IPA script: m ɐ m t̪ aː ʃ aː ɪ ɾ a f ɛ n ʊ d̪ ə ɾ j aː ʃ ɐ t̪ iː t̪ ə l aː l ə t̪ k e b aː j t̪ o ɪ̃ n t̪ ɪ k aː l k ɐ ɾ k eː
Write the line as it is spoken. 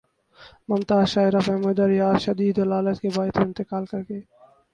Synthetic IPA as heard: m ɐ m t̪ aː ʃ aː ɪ ɾ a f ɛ m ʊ d̪ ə ɾ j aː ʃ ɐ d̪ iː d̪ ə l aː l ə t̪ k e b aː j t̪ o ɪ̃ n t̪ ɪ k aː l k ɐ ɾ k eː

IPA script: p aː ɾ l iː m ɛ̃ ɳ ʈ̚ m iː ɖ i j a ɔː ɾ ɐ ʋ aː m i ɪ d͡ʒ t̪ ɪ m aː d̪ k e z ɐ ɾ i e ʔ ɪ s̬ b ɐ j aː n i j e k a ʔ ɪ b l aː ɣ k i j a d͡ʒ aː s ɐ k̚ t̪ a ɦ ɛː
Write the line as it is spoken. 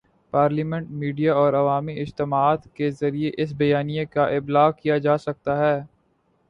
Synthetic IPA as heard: p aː ɾ l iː m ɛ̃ ɳ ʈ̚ m iː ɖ i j a ɔː ɾ ɐ ʋ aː m i ɪ d͡ʒ t̪ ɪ m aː t̪ k e z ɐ ɾ i e ʔ ɪ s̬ b ɐ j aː n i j e k a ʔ ɪ b l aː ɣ k i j a d͡ʒ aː s ɐ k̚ t̪ a ɦ ɛː

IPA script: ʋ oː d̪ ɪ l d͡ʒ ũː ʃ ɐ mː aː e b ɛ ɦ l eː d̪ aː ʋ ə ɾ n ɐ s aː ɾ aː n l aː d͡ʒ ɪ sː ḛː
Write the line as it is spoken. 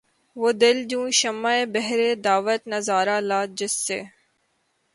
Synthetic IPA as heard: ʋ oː d̪ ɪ l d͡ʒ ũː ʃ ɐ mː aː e b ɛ ɦ ɾ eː d̪ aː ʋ ə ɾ n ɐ z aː ɾ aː l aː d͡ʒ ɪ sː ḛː

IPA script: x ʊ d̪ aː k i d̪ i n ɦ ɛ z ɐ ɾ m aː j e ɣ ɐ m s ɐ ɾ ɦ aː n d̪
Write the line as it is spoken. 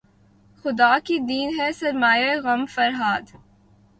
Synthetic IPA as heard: x ʊ d̪ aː k i d̪ iː n ɦ ɛ s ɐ ɾ m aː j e ɣ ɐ m f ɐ ɾ ɦ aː d̪

